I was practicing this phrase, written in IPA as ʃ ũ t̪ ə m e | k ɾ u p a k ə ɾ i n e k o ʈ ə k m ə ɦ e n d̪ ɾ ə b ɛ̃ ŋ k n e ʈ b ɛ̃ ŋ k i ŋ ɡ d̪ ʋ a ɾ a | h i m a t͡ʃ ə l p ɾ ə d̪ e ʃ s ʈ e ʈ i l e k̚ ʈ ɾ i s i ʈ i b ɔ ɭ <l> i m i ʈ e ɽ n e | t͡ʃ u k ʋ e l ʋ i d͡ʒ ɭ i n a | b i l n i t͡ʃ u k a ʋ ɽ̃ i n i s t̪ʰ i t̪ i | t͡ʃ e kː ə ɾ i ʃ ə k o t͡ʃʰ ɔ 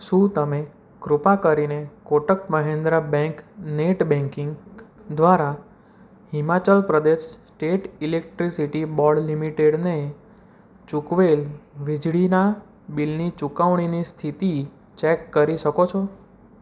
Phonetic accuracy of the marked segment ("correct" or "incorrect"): correct